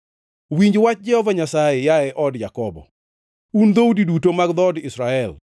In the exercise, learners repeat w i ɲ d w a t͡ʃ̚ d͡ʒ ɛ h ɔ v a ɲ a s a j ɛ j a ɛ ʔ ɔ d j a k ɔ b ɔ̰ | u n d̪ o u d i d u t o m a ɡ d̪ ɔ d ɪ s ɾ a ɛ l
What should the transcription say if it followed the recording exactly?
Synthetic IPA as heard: w i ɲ d͡ʒ w a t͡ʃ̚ d͡ʒ ɛ h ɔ v a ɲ a s a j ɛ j a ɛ ʔ ɔ d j a k ɔ b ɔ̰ | u n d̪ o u d i d u t o m a ɡ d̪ ɔ d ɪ s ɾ a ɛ l